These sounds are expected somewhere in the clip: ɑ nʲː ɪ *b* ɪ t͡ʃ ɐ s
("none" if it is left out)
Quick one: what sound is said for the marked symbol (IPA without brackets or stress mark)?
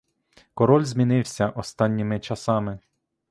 m